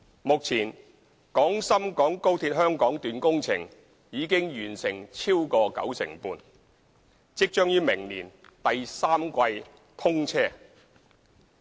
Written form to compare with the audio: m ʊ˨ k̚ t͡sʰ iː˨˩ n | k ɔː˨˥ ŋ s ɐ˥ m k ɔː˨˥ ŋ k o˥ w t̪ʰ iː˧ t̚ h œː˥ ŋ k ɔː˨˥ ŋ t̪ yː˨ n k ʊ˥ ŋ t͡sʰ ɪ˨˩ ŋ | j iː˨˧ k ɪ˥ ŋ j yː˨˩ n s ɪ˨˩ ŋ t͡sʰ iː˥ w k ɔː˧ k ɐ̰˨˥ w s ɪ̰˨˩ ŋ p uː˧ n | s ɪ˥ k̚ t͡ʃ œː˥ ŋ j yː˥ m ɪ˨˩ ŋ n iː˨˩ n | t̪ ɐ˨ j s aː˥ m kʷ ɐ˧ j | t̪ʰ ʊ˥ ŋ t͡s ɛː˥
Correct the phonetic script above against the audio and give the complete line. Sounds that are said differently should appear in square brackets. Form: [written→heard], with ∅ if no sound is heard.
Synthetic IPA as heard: m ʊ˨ k̚ t͡sʰ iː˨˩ n | k ɔː˨˥ ŋ s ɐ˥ m k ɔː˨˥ ŋ k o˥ w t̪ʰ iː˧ t̚ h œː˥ ŋ k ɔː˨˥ ŋ t̪ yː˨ n k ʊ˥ ŋ t͡sʰ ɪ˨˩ ŋ | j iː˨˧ k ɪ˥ ŋ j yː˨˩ n s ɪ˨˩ ŋ t͡sʰ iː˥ w k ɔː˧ k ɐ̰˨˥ w s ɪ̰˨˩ ŋ p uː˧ n | [s→t͡s] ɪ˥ k̚ t͡ʃ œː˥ ŋ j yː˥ m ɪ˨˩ ŋ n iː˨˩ n | t̪ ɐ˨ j s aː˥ m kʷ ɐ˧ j | t̪ʰ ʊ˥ ŋ [t͡s→t͡sʰ] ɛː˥